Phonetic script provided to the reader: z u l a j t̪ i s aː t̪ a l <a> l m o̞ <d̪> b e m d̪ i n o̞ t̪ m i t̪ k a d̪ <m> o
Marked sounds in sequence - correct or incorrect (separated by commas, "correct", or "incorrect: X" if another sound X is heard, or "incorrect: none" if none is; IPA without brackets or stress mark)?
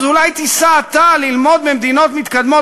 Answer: incorrect: i, correct, correct